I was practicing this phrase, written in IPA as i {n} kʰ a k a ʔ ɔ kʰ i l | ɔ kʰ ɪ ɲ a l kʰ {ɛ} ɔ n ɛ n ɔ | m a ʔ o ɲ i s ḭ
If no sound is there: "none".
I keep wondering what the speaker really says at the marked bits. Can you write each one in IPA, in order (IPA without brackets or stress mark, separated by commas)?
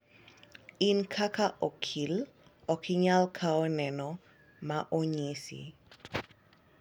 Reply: n, a